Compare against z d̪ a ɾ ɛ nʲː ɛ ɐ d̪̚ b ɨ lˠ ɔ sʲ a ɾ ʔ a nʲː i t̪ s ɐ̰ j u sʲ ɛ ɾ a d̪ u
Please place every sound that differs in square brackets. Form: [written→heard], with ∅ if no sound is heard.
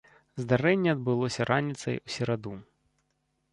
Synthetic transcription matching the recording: z d̪ a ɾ ɛ nʲː ɛ ɐ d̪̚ b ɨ lˠ ɔ sʲ [a→ɐ] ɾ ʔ a [nʲː→nʲ] i t̪ s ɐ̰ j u sʲ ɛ ɾ a d̪ u